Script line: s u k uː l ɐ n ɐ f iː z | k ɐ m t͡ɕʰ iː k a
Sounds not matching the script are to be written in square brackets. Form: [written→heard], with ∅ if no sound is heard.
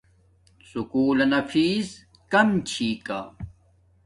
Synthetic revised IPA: s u k uː l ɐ n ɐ f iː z | k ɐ m t͡ɕʰ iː k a